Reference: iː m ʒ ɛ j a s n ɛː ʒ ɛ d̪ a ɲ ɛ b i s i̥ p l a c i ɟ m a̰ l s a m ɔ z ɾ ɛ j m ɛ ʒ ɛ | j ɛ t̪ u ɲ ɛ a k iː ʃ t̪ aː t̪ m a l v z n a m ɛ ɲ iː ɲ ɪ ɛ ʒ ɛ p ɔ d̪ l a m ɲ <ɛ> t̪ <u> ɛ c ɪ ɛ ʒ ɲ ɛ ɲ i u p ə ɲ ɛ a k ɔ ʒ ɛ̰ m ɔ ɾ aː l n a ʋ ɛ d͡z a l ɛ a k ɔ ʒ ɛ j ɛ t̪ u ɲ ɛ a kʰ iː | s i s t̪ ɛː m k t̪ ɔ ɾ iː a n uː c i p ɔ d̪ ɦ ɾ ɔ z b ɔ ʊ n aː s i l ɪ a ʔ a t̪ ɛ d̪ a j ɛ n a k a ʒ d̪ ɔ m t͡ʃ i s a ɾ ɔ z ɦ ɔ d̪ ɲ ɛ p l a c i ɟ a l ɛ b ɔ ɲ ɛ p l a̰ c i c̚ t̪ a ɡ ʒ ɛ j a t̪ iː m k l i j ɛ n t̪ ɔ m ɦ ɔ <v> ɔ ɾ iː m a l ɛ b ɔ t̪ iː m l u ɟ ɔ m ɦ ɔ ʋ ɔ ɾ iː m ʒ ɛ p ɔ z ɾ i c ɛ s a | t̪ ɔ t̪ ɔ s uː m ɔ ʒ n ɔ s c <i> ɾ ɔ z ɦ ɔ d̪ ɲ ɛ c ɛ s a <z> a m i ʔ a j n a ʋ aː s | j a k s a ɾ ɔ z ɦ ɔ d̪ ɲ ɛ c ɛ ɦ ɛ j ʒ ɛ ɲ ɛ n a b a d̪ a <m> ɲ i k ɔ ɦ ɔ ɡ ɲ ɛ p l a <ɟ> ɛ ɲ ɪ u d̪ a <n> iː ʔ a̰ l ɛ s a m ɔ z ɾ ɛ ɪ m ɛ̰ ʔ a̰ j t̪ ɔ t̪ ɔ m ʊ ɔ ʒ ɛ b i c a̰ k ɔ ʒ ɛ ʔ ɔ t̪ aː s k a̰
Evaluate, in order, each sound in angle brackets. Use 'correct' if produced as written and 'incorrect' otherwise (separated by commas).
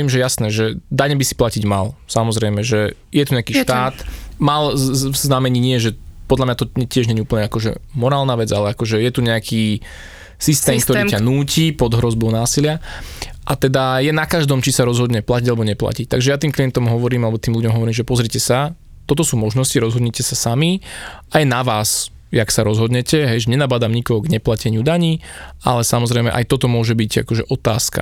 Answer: incorrect, incorrect, incorrect, correct, incorrect, correct, incorrect, incorrect